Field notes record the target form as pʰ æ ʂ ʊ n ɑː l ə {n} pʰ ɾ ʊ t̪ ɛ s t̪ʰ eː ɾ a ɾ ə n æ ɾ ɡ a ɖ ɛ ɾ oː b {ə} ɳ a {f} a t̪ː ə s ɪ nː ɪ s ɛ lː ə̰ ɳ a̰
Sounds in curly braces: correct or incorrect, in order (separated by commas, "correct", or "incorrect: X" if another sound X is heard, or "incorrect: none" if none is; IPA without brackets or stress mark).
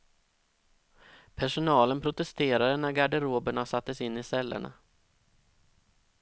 correct, correct, incorrect: s